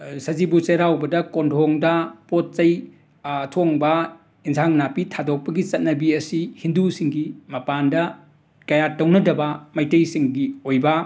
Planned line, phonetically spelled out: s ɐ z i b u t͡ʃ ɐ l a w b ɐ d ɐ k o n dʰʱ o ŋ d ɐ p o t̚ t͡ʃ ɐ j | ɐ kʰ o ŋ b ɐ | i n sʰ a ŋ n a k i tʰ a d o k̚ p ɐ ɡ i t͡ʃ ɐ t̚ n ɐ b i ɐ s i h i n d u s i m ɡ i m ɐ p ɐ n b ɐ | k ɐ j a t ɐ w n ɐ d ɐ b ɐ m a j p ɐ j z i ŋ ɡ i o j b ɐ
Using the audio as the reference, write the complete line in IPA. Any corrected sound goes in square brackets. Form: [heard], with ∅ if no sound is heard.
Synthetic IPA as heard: s ɐ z i b u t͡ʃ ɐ [ɾ] a w b ɐ d ɐ k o n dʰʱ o ŋ d ɐ p o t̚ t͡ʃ ɐ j | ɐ [tʰ] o ŋ b ɐ | i n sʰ a ŋ n a [p] i tʰ a d o k̚ p ɐ ɡ i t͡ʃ ɐ t̚ n ɐ b i ɐ s i h i n d u s i [ŋ] ɡ i m ɐ p [a] n [d] ɐ | k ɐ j a t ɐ w n ɐ d ɐ b ɐ m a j [t] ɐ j [s] i ŋ ɡ i o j b ɐ